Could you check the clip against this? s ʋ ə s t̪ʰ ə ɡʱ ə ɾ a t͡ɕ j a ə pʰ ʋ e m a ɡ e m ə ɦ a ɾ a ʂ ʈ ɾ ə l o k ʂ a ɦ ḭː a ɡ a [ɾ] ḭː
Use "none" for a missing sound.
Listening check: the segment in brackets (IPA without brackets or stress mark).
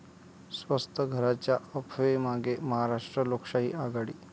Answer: ɽ